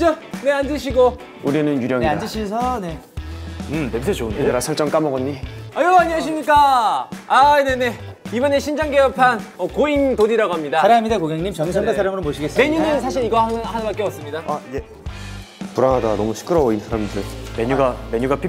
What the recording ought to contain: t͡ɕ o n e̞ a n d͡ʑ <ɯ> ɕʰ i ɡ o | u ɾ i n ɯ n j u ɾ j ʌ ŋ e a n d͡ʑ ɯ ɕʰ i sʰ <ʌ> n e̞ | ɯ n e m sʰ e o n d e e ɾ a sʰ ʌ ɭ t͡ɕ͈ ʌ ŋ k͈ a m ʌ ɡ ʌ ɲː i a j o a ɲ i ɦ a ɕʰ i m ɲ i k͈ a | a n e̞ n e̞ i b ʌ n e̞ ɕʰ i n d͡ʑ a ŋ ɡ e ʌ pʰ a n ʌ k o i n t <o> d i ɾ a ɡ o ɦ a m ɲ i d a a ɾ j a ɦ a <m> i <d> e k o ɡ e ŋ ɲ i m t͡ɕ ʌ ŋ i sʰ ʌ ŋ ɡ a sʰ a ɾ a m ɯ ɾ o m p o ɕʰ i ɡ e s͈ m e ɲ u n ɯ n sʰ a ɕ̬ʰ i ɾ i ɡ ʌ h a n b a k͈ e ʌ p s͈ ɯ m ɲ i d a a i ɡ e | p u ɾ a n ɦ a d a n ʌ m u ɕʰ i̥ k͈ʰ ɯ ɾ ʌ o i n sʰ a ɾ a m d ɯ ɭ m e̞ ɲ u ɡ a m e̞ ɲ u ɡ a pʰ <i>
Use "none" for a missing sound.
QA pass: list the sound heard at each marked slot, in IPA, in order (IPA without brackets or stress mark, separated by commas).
ɯ, ʌ, o, m, d, i